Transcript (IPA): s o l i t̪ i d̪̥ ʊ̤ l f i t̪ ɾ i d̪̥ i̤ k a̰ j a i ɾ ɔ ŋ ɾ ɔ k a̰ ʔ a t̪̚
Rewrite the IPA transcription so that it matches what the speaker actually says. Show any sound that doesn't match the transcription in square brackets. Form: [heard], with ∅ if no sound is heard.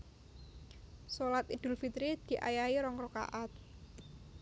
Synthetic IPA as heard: s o l [a] t̪ i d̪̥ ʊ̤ l f i t̪ ɾ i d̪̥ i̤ [ʔ] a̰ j a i ɾ ɔ ŋ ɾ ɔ k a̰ ʔ a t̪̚